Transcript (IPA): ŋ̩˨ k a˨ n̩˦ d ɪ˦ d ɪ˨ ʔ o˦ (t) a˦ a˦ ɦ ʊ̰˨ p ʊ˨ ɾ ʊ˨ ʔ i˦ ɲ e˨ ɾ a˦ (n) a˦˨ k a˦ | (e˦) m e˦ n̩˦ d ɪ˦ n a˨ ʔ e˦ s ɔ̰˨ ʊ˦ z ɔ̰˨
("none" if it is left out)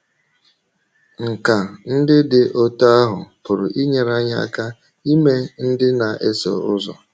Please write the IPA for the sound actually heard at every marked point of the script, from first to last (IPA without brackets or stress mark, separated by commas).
t, ɲ, i˦